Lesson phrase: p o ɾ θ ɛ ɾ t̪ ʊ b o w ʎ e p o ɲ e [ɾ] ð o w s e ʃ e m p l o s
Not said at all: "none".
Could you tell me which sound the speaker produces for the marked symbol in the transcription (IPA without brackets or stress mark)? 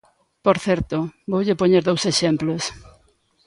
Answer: ɾ